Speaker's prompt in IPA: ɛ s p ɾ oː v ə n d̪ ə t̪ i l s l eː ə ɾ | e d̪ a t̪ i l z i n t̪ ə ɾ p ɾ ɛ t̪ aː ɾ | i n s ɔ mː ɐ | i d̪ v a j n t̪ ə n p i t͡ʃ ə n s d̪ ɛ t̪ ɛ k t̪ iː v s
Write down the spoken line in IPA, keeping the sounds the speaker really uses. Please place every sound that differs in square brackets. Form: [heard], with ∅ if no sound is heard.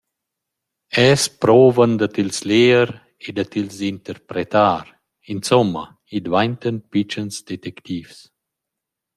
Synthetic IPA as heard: ɛ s p ɾ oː v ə n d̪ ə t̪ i l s l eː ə ɾ | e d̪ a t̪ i l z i n t̪ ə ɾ p ɾ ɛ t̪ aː ɾ | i n s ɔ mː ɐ | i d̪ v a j n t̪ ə n p i t͡ʃ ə n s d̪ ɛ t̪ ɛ k t̪ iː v s

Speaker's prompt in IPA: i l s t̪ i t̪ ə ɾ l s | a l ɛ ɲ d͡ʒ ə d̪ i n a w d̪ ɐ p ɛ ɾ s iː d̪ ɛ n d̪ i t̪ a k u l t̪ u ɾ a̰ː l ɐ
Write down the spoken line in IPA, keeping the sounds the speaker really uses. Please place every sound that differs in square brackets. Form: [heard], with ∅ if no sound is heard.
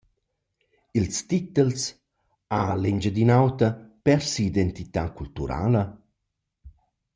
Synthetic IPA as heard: i l s t̪ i t̪ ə [∅] l s | a l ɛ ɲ d͡ʒ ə d̪ i n a w [t̪] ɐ p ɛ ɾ s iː d̪ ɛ n [t̪] i t̪ a k u l t̪ u ɾ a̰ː l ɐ

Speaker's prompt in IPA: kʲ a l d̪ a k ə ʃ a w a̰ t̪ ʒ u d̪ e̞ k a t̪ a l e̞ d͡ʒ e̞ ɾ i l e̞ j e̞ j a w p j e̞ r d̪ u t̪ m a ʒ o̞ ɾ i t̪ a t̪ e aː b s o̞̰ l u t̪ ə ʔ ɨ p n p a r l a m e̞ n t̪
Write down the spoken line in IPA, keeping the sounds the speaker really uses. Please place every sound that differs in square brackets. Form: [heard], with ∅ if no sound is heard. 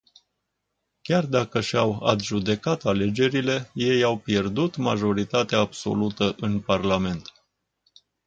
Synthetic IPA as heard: kʲ a [r] d̪ a k ə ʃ a w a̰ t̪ ʒ u d̪ e̞ k a t̪ a l e̞ d͡ʒ e̞ ɾ i l e̞ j e̞ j a w p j e̞ r d̪ u t̪ m a ʒ o̞ ɾ i t̪ a t̪ e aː b s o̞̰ l u t̪ ə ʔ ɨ [∅] n p a r l a m e̞ n t̪

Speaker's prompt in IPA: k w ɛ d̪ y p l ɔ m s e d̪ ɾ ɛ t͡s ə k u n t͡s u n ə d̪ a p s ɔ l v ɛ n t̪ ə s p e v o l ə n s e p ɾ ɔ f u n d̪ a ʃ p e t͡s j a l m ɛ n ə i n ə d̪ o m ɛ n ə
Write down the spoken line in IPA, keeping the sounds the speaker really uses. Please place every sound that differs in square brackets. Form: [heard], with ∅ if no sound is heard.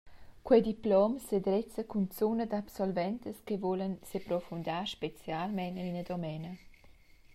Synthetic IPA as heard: k w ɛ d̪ [i] p l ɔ m s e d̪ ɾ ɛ t͡s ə k u n t͡s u n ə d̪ a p s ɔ l v ɛ n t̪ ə s [k] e v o l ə n s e p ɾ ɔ f u n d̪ a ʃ p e t͡s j a l m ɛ n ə i n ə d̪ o m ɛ n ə

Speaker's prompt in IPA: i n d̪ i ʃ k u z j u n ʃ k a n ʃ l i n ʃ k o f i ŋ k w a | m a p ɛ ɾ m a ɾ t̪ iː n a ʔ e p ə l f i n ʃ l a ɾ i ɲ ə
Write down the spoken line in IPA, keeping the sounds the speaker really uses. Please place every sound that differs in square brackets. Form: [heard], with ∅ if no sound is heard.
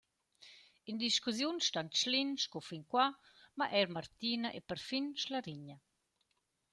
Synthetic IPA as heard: i n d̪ i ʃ k u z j u n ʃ [t] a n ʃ l i n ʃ k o f i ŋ k w a | m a [ʔ] ɛ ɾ m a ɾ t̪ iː n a ʔ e p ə [ɾ] f i n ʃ l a ɾ i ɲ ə

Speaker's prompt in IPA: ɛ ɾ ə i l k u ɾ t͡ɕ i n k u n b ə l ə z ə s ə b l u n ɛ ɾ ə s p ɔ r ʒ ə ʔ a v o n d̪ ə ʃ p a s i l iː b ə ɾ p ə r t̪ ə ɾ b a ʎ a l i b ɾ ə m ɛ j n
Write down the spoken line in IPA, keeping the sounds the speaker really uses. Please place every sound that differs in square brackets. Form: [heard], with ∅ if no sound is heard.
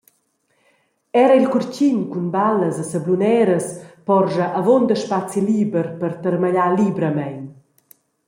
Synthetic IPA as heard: ɛ ɾ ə i l k u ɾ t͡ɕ i n k u n b [a] l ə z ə s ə b l u n ɛ ɾ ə s p ɔ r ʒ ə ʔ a v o n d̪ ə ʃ p a [t͡s] i l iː b ə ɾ p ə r t̪ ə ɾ [m] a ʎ a l i b ɾ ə m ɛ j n

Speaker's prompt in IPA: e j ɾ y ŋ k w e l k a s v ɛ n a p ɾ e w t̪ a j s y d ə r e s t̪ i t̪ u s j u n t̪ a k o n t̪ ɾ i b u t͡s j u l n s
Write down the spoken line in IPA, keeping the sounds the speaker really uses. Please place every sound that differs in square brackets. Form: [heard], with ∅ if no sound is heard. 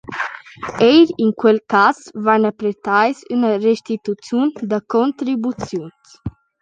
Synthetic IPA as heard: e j ɾ [i] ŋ k w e l k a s v [a] n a p ɾ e [∅] t̪ a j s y [n] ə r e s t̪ i t̪ u [t͡s] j u n [d̪] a k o n t̪ ɾ i b u t͡s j u [∅] n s

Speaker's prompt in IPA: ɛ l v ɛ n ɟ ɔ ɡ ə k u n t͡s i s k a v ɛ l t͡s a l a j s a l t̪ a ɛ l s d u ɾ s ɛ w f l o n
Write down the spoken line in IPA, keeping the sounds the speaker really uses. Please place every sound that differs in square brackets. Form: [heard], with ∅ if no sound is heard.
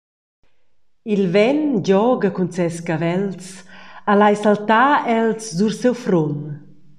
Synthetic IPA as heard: [i] l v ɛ n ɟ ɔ ɡ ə k u n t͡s [ɛ] s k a v ɛ l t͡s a l a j s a l t̪ a ɛ l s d u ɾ s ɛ w f [ɾ] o n

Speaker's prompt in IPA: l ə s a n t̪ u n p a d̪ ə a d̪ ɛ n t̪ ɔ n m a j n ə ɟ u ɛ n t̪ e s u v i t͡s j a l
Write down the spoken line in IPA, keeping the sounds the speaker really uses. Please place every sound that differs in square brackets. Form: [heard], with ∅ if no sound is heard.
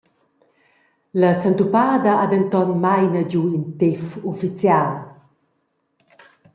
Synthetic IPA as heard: l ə s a n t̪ u [∅] p a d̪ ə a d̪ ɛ n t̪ ɔ n m a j n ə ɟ u [i] n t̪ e [f] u [f] i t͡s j a l

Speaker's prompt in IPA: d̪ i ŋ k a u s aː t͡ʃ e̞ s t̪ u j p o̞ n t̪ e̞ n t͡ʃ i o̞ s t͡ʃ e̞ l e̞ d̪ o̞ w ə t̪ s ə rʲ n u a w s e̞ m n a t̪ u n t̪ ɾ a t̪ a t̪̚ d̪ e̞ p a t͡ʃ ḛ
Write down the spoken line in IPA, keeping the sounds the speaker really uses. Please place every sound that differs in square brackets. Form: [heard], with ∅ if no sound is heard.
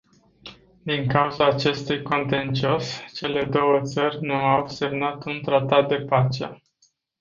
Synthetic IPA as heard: d̪ i ŋ k a u [z] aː t͡ʃ e̞ s t̪ u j [k] o̞ n t̪ e̞ n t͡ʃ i o̞ s t͡ʃ e̞ l e̞ d̪ o̞ w ə t̪ s ə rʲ n u a w s e̞ m n a t̪ u n t̪ ɾ a t̪ a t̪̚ d̪ e̞ p a t͡ʃ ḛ

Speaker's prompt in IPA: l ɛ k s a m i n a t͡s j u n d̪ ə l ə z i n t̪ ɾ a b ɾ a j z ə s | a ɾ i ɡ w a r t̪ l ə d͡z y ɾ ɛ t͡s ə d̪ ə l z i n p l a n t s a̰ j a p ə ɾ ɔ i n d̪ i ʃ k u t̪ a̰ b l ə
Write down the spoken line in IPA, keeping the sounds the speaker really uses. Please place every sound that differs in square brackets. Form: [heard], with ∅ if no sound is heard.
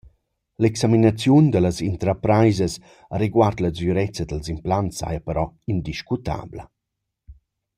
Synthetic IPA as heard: l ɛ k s a m i n a t͡s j u n d̪ ə l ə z i n t̪ ɾ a [p] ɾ a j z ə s | a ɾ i ɡ w a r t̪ l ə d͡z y ɾ ɛ t͡s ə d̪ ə l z i [m] p l a n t s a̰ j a p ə ɾ ɔ i n d̪ i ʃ k u t̪ a̰ b l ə

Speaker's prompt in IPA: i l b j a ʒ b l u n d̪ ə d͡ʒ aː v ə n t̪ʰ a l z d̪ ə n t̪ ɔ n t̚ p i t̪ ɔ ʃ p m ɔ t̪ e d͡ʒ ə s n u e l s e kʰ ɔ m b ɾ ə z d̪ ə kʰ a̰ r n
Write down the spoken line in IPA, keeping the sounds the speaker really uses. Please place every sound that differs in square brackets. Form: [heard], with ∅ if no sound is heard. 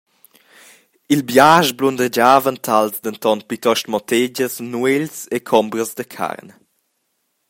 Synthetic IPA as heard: i l b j a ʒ b l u n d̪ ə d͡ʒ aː v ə n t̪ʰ a l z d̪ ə n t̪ ɔ n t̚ p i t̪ ɔ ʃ [t] m ɔ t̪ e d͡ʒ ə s n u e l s e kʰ ɔ m b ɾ ə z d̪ ə kʰ a̰ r n

